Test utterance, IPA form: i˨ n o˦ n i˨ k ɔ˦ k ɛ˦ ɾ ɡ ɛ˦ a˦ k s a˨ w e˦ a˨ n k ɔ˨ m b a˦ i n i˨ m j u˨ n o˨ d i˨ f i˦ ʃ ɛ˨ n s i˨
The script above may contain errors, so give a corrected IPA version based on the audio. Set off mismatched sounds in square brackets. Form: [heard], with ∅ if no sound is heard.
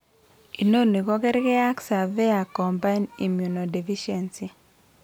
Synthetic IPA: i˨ n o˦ n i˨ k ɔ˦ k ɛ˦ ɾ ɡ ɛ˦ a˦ k s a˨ [v] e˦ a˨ [∅] k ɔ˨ m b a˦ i n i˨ m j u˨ n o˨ d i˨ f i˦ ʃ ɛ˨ n s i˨